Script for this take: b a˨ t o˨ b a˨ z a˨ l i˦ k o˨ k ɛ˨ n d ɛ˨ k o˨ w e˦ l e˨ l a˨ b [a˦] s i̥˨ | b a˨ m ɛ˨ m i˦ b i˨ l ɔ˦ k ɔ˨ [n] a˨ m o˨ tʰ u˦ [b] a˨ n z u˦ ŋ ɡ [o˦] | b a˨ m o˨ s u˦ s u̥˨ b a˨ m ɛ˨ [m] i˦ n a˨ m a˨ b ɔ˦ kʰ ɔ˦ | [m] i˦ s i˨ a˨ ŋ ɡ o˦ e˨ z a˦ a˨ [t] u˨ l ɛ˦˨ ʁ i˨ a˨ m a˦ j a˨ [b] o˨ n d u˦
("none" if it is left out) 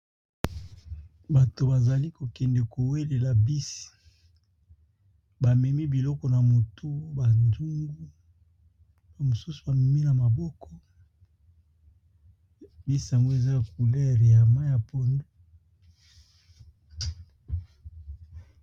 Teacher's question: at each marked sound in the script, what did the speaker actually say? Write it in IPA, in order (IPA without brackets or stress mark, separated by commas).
i˦, n, b, u˦, m, b, k, p